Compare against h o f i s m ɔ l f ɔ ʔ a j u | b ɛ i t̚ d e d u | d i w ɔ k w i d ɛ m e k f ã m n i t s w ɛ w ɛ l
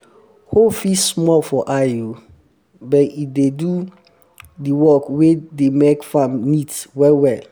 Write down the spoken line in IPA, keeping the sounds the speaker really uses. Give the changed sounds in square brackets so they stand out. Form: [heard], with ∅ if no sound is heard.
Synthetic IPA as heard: h o f i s m ɔ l f ɔ ʔ a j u | b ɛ i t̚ d e d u | d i w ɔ k w [e] d [e] m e k f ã m n i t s w ɛ w ɛ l